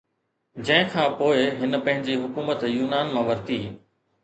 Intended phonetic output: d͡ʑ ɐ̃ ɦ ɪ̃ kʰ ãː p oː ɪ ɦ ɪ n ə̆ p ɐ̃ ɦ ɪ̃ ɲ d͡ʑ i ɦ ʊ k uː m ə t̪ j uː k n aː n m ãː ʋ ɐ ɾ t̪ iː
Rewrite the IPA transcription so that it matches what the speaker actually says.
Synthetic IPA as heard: d͡ʑ ɐ̃ ɦ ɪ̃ kʰ ãː p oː ɪ ɦ ɪ n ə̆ p ɐ̃ ɦ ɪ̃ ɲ d͡ʑ i ɦ ʊ k uː m ə t̪ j uː n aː n m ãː ʋ ɐ ɾ t̪ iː